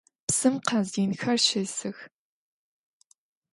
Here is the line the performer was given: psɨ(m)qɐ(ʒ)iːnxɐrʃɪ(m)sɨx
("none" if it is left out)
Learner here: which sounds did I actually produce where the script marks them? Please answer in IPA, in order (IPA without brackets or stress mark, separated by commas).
m, z, none